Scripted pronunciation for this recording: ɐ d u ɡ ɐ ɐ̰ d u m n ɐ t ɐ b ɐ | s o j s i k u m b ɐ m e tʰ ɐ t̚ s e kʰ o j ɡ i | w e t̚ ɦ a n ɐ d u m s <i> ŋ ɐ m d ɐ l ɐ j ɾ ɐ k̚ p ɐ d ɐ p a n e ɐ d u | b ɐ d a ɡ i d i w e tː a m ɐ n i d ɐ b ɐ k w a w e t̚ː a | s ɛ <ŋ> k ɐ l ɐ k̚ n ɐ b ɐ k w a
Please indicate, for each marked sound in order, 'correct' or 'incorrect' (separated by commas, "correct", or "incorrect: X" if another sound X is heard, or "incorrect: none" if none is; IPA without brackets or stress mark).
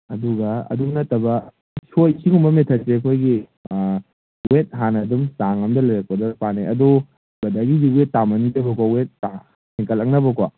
incorrect: a, correct